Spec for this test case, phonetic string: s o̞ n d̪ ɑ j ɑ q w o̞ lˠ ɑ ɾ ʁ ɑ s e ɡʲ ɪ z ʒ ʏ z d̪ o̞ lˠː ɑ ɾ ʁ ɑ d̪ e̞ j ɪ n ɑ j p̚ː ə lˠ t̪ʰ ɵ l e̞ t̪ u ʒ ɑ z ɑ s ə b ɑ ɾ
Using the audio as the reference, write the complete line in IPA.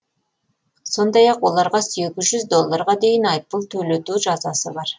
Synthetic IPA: s o̞ n d̪ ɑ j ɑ q w o̞ lˠ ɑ ɾ ʁ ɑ s e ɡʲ ɪ z ʒ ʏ z d̪ o̞ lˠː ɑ ɾ ʁ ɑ d̪ e̞ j ɪ n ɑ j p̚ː ə lˠ t̪ʰ ɵ l e̞ t̪ u ʒ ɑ z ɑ s ə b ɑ ɾ